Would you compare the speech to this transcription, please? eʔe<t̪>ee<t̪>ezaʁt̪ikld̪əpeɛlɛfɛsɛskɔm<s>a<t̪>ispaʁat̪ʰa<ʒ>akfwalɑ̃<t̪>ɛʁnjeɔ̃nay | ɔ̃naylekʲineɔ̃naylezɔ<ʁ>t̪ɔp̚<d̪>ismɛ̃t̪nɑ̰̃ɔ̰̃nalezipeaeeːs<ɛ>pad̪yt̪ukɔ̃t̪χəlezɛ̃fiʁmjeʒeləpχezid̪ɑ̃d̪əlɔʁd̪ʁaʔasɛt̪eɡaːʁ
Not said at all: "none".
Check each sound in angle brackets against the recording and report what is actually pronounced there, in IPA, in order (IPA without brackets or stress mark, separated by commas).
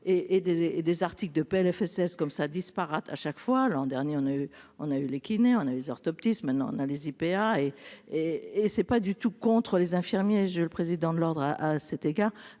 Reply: d̪, d̪, s, d̪, ʃ, d̪, ʁ, t̪, ɛ